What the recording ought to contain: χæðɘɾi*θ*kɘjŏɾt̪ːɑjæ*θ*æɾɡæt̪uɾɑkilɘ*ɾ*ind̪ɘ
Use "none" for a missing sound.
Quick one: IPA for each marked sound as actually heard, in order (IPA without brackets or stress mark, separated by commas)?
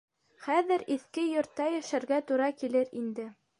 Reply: θ, ʃ, ɾ